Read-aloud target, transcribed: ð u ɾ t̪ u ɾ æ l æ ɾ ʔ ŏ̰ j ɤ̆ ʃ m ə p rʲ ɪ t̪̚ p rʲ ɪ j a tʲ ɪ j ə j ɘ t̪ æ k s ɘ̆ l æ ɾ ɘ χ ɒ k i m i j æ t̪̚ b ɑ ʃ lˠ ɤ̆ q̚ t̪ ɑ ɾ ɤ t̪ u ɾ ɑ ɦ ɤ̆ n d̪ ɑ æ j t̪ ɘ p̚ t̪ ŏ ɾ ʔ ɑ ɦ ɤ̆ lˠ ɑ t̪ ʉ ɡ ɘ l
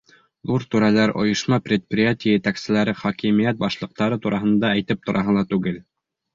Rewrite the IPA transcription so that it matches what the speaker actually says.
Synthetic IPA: ð u ɾ t̪ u ɾ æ l æ ɾ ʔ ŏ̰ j ɤ̆ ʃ m ɑ p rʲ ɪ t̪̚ p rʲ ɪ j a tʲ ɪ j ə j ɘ t̪ æ k s ɘ̆ l æ ɾ ɘ χ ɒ k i m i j æ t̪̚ b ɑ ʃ lˠ ɤ̆ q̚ t̪ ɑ ɾ ɤ t̪ u ɾ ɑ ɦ ɤ̆ n d̪ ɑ æ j t̪ ɘ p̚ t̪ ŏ ɾ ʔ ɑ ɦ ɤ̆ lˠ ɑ t̪ ʉ ɡ ɘ l

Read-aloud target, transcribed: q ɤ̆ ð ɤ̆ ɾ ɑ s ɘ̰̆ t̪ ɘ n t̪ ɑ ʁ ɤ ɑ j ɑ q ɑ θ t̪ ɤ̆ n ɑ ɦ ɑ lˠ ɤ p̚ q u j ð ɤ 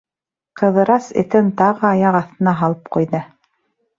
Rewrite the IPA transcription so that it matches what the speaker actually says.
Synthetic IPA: q ɤ̆ ð ɤ̆ ɾ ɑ s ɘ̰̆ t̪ ɘ n t̪ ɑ ʁ ɤ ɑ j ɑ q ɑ θ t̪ ɤ̆ n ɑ ɦ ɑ lˠ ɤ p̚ q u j ð ɤ

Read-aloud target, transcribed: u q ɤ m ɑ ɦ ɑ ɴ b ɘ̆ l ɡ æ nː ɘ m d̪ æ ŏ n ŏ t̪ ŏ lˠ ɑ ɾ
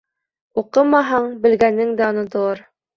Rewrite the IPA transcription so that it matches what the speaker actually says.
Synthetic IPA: u q ɤ m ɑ ɦ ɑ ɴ b ɘ̆ l ɡ æ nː ɘ ŋ d̪ æ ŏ n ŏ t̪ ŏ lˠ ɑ ɾ

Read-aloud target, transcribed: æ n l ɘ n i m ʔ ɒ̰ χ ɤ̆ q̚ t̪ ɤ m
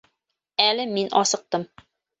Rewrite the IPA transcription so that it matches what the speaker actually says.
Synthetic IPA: æ l ɘ m i n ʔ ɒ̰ s ɤ̆ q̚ t̪ ɤ m

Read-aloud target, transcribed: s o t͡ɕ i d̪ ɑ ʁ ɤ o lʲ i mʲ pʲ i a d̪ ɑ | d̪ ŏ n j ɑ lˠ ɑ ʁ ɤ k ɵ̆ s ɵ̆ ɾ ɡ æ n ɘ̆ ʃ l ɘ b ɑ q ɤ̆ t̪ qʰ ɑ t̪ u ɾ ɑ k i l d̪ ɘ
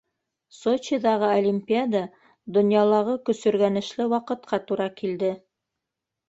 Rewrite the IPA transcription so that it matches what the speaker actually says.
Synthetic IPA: s o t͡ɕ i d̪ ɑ ʁ ɤ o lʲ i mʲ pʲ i a d̪ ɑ | d̪ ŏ n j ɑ lˠ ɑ ʁ ɤ k ɵ̆ s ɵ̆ ɾ ɡ æ n ɘ̆ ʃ l ɘ w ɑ q ɤ̆ t̪ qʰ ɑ t̪ u ɾ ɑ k i l d̪ ɘ

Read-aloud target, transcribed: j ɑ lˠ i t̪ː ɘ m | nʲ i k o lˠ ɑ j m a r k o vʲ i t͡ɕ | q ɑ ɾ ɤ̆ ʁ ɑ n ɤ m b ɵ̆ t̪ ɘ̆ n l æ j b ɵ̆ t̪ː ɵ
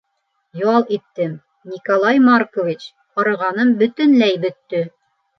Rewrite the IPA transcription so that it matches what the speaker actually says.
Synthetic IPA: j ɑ lˠ i t̪ː ɘ m | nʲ i k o lˠ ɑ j m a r k o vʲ i t͡ɕ | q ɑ ɾ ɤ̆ ʁ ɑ n ɤ m b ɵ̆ t̪ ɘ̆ n l æ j b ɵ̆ t̪ː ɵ

